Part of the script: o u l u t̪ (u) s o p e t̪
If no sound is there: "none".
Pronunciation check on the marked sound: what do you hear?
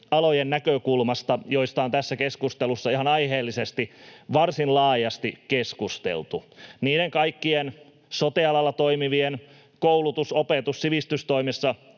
u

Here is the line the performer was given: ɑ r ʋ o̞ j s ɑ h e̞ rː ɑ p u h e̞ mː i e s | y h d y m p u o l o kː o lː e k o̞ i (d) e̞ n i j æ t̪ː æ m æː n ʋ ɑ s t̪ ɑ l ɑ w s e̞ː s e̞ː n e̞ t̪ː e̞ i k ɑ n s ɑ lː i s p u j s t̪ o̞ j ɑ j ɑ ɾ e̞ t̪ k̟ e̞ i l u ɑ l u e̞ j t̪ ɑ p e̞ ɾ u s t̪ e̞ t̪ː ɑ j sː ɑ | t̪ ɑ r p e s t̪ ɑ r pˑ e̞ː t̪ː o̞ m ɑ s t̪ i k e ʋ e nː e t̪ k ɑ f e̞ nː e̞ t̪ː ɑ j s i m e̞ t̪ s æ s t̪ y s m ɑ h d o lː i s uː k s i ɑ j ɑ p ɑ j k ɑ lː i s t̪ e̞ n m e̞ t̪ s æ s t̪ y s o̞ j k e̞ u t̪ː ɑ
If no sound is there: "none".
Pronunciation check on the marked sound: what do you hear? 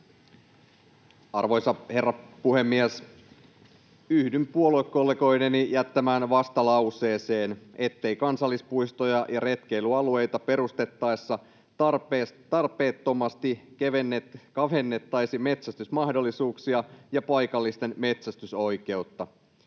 n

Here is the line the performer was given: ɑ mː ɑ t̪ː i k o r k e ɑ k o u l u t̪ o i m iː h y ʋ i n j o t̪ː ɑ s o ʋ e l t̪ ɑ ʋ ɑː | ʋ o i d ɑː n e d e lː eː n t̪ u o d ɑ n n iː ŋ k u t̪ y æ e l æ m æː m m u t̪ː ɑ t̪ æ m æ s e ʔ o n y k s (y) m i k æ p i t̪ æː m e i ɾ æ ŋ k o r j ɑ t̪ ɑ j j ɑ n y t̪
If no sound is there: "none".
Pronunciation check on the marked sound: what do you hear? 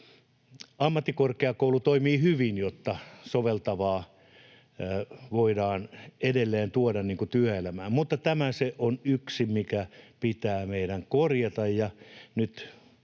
i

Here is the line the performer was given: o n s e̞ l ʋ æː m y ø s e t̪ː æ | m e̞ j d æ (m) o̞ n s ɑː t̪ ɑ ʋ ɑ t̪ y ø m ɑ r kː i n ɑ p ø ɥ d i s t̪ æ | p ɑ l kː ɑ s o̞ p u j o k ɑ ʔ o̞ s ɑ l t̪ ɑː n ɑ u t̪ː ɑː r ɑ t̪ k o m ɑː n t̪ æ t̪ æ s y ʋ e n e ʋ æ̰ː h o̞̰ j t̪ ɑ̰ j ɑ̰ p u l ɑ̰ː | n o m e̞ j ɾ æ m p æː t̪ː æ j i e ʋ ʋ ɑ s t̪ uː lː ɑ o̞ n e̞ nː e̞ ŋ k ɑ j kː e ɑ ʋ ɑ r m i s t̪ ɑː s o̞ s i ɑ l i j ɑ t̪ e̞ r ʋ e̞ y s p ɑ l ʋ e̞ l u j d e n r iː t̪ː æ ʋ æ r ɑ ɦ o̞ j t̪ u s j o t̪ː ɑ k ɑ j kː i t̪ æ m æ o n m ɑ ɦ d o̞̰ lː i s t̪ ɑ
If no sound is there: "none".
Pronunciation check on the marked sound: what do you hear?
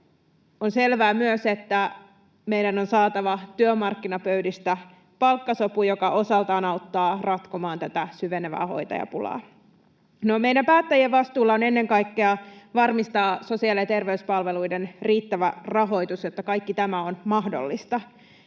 n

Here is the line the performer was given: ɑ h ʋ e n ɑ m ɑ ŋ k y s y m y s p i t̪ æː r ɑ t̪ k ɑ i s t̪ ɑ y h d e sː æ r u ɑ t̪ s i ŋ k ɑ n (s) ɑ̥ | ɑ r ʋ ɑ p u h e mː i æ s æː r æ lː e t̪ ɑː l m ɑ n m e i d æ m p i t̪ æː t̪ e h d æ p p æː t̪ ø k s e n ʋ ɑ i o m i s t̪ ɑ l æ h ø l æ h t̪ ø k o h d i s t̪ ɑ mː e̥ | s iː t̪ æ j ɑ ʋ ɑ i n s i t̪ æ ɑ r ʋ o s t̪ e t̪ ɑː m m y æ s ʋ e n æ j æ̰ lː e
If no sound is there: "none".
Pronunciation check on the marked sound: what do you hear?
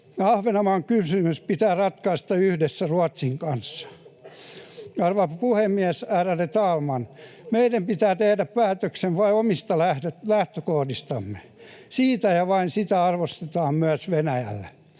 sː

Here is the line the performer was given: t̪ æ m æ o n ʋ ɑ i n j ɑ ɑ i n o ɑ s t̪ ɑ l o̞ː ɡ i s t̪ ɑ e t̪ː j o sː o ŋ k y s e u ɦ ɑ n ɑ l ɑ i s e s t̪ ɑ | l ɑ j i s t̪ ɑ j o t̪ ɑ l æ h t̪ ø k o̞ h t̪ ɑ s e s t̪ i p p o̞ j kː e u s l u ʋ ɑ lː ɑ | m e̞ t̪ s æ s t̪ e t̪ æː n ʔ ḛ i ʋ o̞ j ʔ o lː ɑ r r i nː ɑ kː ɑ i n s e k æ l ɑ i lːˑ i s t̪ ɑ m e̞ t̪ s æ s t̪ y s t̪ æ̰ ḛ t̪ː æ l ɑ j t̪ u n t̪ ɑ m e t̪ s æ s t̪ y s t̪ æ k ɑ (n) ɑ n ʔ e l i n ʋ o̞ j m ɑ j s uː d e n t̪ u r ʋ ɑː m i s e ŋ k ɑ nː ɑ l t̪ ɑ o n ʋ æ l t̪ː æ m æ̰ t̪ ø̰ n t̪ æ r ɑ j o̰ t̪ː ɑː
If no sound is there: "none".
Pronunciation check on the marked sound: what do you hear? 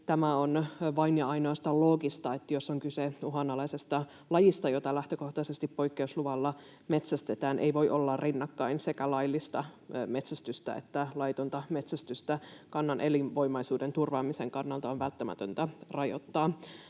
nː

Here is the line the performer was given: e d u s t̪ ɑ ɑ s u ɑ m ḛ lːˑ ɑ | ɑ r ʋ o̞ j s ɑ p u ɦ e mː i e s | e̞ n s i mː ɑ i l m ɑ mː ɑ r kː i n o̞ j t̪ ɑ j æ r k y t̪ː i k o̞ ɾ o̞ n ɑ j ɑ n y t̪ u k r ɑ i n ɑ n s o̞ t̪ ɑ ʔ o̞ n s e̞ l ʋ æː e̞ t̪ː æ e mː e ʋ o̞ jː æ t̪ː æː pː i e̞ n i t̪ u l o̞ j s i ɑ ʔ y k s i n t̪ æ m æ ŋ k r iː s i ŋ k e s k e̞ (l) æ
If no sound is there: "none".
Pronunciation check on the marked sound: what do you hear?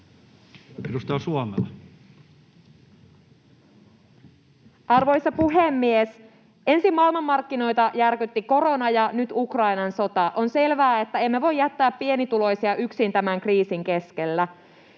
lː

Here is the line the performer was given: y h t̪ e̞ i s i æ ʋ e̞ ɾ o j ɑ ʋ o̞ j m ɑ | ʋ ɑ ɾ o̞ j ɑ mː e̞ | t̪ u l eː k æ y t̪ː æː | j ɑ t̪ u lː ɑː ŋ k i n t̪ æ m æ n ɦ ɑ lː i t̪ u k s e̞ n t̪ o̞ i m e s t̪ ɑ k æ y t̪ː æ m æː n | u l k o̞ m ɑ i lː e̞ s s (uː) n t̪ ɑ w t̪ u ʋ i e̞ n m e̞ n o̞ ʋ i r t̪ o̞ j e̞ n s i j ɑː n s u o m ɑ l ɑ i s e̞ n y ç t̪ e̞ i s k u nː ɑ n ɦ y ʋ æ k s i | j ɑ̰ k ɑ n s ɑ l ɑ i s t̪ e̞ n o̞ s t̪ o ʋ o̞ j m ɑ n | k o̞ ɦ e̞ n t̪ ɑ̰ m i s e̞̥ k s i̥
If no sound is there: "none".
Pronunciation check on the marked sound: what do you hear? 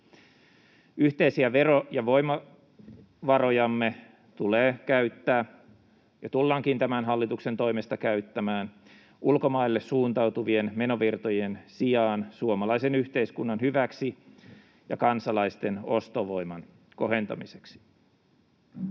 uː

